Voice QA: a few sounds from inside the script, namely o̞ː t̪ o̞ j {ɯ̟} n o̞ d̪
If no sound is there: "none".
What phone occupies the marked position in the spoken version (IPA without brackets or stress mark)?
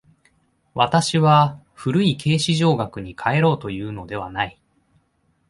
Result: ɯ̟ː